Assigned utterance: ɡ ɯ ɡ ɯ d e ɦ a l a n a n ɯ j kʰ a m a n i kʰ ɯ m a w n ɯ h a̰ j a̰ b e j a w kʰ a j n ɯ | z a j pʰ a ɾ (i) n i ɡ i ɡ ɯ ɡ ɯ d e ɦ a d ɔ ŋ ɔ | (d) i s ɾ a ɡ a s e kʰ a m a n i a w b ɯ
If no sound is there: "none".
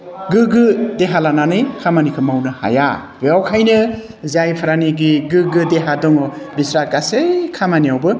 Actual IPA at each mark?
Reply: a, b

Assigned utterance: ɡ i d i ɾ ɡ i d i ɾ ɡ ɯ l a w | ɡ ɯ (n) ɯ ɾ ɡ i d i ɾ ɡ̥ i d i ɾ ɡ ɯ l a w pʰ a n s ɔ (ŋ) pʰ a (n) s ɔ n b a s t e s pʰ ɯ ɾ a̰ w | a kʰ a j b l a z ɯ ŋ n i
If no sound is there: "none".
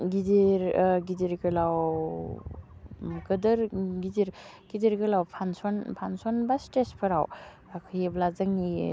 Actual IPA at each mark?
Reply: d, n, n

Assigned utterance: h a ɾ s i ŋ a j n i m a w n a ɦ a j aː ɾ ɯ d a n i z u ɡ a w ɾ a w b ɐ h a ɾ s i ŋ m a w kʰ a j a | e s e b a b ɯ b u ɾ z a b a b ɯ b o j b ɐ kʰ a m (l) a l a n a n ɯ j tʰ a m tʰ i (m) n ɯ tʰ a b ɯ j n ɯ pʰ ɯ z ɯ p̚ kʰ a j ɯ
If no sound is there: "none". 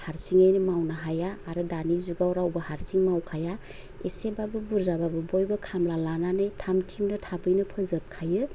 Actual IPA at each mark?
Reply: l, m

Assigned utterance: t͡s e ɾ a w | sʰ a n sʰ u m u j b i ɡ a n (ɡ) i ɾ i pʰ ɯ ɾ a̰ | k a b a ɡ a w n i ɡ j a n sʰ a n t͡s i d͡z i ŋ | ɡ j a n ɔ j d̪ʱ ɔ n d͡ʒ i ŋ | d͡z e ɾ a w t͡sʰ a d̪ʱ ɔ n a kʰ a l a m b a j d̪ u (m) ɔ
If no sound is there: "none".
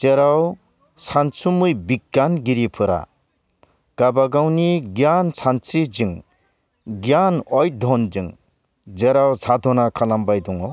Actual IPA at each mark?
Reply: ɡ, ŋ

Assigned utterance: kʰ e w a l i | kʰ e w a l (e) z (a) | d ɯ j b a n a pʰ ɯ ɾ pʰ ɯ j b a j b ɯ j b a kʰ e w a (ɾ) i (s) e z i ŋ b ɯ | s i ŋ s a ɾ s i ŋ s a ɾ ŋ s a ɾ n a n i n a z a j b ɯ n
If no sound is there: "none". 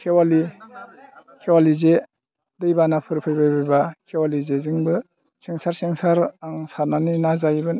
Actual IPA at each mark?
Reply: i, e, l, z

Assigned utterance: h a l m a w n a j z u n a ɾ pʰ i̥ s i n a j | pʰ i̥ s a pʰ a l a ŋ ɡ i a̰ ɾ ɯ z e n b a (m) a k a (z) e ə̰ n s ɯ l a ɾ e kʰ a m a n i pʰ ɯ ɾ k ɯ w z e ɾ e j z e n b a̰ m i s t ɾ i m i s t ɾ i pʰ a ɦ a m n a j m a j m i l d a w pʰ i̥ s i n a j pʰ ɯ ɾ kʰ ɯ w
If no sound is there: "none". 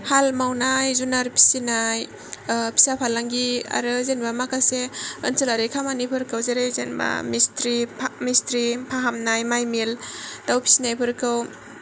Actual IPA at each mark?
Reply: m, s

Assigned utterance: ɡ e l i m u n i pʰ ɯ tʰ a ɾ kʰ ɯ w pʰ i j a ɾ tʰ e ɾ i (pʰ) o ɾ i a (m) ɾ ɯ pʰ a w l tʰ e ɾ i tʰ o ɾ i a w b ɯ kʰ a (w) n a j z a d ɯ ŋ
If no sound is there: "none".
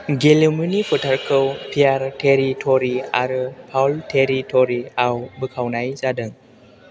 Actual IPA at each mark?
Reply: tʰ, none, w

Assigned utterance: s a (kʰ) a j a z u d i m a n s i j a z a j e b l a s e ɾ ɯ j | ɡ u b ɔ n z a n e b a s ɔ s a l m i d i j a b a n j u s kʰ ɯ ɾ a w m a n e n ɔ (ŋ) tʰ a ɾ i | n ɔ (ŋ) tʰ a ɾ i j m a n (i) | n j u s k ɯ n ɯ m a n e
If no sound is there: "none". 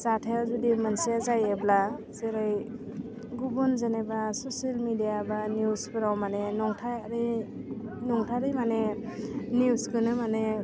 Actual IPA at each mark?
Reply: tʰ, ŋ, ŋ, e

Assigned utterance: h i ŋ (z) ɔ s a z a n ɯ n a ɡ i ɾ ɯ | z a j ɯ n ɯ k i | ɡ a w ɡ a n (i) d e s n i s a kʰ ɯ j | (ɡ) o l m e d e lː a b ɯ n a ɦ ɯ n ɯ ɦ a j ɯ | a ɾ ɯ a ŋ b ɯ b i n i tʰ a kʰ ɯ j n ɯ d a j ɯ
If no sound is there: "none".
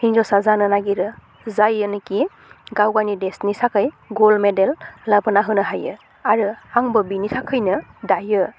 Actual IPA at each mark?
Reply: z, i, ɡ

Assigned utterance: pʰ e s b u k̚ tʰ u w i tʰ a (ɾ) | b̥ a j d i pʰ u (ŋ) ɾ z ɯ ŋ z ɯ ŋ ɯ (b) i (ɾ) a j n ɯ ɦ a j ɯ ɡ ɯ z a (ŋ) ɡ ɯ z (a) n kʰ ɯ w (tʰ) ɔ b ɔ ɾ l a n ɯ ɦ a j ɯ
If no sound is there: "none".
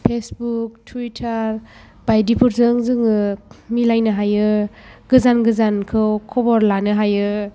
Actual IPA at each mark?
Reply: ɾ, none, m, l, n, a, kʰ

